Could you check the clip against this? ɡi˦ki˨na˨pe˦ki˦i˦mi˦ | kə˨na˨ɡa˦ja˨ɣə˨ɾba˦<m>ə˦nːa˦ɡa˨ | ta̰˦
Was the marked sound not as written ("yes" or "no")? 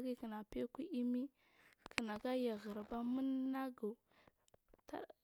no